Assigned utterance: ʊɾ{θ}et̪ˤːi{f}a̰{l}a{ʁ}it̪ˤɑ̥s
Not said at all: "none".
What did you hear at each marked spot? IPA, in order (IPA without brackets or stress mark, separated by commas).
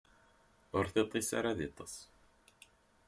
θ, s, ɾ, ð